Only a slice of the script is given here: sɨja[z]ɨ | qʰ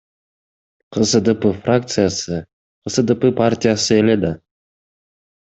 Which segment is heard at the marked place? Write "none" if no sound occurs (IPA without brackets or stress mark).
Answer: s